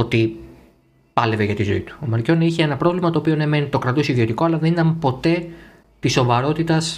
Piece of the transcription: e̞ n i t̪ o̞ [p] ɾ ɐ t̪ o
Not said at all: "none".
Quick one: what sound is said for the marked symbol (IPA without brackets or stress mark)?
k